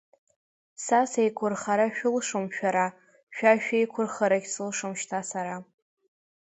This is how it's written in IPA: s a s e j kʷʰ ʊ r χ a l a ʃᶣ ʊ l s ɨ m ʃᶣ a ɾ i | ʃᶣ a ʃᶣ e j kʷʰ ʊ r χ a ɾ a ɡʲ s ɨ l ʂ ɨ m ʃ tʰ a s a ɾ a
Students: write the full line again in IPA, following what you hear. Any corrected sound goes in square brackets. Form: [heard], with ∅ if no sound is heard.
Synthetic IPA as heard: s a s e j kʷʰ ʊ r χ a [ɾ] a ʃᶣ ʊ l [ʂ] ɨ m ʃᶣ a ɾ [a] | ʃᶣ a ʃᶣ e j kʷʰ ʊ r χ a ɾ a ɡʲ s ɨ l ʂ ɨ m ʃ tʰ a s a ɾ a